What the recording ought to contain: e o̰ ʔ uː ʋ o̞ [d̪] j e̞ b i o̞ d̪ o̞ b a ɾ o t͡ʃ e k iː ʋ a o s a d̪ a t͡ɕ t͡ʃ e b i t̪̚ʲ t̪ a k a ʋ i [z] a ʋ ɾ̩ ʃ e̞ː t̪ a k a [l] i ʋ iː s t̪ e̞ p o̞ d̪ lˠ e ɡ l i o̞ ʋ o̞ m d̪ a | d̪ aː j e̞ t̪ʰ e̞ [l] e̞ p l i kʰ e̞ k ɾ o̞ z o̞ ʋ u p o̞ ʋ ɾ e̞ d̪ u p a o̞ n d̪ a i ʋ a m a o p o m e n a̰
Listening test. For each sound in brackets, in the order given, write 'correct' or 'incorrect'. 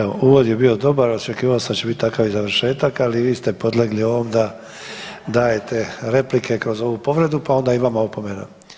correct, correct, correct, incorrect: ɾ

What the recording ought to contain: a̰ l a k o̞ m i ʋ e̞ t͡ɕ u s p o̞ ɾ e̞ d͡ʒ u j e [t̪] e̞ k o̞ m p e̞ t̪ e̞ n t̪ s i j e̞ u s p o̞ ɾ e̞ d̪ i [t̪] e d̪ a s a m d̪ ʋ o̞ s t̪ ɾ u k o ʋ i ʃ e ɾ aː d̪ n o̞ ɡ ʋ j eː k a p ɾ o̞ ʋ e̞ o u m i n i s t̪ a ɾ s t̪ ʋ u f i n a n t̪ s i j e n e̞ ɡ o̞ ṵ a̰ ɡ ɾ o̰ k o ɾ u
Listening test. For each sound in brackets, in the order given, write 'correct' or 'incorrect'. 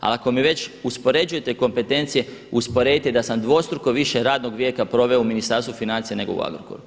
correct, correct

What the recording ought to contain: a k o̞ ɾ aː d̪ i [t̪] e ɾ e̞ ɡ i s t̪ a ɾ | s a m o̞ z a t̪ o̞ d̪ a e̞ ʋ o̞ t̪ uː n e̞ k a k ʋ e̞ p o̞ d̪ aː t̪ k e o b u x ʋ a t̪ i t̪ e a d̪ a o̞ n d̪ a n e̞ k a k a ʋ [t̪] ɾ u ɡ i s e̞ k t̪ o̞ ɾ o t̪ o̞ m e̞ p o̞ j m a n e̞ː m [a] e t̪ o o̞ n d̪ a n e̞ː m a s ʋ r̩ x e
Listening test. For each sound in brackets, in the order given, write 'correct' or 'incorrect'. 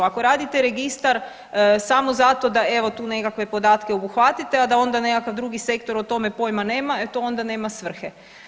correct, incorrect: d̪, correct

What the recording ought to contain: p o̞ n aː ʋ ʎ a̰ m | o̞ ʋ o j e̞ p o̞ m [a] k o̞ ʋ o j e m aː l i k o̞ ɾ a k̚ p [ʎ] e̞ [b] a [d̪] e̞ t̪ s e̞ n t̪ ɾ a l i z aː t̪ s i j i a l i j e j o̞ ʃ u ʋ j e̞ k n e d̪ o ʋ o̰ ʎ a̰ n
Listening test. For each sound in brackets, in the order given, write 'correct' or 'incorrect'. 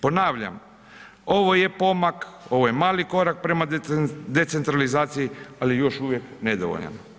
correct, incorrect: ɾ, incorrect: m, correct

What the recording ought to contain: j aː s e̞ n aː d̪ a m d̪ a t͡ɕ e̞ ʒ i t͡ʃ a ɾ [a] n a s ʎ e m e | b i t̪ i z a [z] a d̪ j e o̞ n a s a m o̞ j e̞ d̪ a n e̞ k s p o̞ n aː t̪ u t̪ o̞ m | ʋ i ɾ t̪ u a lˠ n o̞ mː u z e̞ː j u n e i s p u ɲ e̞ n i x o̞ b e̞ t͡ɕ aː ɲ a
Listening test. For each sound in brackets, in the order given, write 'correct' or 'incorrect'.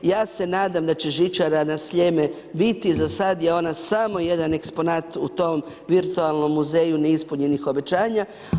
correct, incorrect: s

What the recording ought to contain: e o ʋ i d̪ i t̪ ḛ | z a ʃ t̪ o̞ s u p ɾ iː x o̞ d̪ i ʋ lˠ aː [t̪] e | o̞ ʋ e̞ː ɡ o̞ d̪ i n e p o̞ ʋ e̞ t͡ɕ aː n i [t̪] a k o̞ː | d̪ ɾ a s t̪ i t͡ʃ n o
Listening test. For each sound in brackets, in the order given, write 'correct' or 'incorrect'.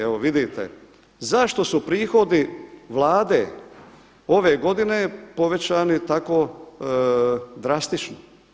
incorrect: d̪, correct

